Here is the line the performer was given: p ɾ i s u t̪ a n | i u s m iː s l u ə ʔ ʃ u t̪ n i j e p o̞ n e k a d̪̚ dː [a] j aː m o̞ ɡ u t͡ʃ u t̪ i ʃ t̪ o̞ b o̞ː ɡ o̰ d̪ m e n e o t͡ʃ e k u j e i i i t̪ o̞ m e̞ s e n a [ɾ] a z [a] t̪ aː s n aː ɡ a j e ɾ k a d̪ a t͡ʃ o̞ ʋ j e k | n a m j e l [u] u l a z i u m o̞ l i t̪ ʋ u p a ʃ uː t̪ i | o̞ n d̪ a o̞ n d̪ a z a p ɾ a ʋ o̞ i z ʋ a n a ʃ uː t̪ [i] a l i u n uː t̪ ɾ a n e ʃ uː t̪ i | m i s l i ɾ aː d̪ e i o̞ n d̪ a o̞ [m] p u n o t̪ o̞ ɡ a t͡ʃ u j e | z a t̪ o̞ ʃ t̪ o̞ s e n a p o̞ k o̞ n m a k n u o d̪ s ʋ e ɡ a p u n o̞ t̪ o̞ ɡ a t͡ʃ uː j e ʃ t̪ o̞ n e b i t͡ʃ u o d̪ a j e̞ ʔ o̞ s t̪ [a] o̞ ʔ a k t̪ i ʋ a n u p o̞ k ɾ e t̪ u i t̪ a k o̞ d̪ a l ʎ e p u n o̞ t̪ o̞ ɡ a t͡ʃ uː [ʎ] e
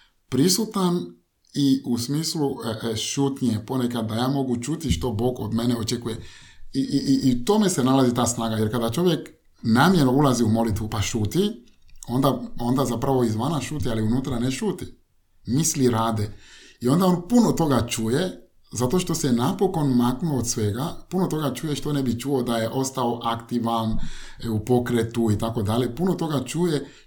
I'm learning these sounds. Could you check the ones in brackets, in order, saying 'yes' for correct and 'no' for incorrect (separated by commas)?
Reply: yes, no, no, no, yes, no, yes, no